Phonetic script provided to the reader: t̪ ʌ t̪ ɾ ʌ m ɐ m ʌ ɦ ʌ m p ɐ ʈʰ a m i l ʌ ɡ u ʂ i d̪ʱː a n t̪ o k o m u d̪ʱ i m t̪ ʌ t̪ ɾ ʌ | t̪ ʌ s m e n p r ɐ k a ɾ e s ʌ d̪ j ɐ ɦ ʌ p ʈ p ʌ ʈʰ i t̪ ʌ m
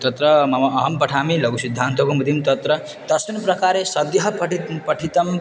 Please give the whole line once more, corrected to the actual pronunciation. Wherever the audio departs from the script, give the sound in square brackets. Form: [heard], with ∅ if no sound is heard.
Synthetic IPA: t̪ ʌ t̪ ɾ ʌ m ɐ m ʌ ɦ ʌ m p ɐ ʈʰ a m i l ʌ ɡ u [s] i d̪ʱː a n t̪ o k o m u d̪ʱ i m t̪ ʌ t̪ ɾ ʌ | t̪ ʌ s m [i] n p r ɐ k a ɾ e s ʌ d̪ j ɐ ɦ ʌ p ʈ p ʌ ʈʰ i t̪ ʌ m